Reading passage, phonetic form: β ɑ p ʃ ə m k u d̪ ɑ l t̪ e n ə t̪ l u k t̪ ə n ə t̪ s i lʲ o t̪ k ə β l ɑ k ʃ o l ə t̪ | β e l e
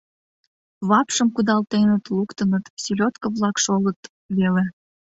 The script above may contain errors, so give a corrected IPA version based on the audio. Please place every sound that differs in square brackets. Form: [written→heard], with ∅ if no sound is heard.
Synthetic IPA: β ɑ p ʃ ə m k u d̪ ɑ l t̪ e n ə t̪ l u k t̪ ə n ə t̪ s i lʲ o t̪ k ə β l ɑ k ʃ o l ə t̪ | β e l e